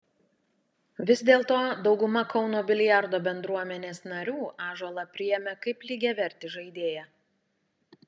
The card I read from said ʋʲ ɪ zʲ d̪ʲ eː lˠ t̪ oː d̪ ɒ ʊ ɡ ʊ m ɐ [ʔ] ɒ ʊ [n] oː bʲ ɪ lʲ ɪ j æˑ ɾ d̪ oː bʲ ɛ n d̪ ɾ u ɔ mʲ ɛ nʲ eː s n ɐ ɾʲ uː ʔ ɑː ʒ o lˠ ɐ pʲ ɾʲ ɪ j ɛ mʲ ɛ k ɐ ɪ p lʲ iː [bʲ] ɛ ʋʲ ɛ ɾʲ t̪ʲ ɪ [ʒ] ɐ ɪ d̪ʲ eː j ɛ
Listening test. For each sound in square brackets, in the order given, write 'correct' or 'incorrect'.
incorrect: k, correct, incorrect: ɡʲ, correct

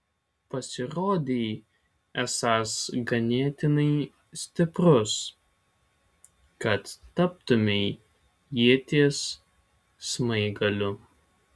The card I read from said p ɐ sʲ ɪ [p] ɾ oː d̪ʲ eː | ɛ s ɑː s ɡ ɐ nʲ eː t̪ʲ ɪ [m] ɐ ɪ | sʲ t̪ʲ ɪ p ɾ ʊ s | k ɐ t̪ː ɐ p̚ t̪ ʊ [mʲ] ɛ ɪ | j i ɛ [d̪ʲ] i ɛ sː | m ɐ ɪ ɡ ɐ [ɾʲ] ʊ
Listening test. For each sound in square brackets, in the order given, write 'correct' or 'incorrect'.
incorrect: none, incorrect: n, correct, incorrect: t̪ʲ, incorrect: lʲ

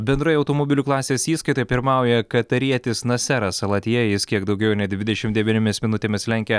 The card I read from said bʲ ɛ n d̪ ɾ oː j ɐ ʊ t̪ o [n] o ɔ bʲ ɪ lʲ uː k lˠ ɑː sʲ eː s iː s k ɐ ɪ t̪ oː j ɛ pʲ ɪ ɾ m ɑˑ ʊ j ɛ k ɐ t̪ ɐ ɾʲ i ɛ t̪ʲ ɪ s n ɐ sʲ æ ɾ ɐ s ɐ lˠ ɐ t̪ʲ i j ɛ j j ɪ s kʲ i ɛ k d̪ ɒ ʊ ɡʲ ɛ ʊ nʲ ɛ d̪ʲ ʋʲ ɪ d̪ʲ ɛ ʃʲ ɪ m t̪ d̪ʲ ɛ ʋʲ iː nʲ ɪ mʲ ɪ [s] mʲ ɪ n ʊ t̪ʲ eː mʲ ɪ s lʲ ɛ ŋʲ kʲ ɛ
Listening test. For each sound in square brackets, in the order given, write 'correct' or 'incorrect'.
incorrect: m, correct

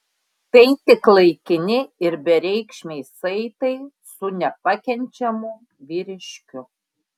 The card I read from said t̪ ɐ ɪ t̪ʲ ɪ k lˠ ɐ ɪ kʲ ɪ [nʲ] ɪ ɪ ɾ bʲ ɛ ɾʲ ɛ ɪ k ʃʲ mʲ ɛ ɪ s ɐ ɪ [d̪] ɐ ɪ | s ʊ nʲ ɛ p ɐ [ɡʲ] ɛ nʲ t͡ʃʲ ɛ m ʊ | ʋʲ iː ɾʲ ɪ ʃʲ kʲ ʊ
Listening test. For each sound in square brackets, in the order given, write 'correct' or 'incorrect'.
correct, incorrect: t̪, incorrect: kʲ

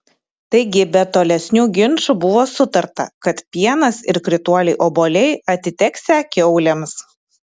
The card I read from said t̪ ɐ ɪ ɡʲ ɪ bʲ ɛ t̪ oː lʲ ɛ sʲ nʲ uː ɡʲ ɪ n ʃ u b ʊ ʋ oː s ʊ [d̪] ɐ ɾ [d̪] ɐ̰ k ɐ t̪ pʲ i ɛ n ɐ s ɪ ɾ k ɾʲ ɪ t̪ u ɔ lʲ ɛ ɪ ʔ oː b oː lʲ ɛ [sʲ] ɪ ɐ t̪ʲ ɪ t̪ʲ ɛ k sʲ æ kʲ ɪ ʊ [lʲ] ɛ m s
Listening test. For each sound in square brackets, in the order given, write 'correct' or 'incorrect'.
incorrect: t̪, incorrect: t̪, incorrect: none, correct

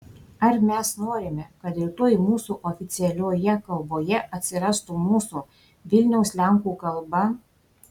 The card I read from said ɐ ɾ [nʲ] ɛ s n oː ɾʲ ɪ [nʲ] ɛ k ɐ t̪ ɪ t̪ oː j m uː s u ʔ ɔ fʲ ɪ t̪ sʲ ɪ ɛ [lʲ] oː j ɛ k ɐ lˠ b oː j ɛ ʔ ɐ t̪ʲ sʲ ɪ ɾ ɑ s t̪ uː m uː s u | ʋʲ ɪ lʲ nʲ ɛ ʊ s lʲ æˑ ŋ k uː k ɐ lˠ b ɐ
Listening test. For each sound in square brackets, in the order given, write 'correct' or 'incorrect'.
incorrect: mʲ, incorrect: mʲ, correct

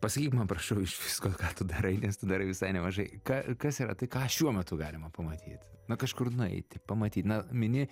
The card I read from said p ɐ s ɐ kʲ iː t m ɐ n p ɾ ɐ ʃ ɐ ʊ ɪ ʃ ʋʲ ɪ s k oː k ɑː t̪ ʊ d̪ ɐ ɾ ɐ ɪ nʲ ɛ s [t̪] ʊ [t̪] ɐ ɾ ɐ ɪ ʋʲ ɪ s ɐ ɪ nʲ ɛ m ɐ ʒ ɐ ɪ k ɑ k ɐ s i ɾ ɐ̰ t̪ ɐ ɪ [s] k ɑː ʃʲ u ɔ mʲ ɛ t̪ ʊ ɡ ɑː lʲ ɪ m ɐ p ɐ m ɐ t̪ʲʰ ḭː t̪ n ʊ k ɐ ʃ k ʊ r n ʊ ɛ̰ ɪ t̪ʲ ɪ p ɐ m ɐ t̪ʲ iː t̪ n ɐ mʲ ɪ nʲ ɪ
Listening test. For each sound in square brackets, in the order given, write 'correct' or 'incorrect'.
correct, incorrect: d̪, incorrect: none

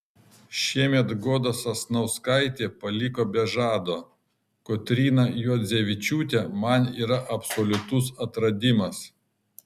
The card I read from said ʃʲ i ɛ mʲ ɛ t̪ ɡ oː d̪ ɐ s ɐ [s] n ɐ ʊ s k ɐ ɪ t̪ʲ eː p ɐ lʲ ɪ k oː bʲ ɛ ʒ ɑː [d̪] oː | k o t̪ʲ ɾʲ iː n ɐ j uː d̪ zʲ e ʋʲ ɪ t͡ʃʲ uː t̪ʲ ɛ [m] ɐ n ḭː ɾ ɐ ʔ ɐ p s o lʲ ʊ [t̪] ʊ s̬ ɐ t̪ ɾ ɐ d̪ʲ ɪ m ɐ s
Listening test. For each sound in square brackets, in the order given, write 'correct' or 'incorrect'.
correct, correct, correct, correct

